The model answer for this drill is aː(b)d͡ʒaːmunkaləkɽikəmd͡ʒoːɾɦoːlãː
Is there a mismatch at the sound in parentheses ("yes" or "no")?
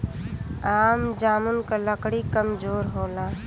yes